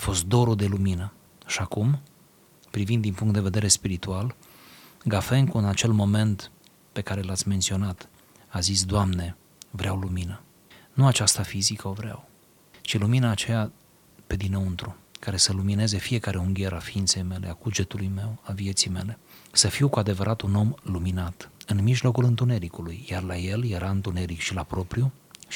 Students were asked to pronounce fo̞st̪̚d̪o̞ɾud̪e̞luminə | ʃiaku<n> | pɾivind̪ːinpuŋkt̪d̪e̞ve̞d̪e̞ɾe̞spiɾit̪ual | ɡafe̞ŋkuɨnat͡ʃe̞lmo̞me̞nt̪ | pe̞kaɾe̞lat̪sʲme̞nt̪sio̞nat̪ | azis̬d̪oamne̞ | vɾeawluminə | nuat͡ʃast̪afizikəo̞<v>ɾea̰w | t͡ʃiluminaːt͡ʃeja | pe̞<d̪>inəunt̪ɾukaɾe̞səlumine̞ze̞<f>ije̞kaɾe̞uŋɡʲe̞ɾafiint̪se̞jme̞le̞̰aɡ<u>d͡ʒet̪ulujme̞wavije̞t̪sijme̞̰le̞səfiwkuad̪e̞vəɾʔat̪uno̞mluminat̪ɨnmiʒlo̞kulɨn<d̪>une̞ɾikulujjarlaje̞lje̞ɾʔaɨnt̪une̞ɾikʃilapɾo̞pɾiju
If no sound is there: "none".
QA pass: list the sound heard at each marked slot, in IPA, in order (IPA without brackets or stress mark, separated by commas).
m, v, d̪, f, u, t̪